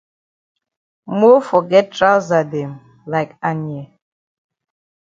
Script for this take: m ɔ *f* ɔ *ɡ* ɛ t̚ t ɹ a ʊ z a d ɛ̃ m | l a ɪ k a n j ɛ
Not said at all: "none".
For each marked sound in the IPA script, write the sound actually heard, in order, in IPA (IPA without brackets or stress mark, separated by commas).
f, ɡ